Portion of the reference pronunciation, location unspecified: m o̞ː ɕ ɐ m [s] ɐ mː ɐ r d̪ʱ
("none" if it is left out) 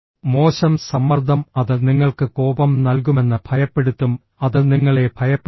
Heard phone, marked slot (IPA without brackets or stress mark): s